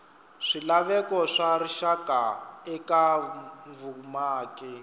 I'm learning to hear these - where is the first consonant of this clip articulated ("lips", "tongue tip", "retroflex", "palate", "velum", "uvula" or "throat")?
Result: retroflex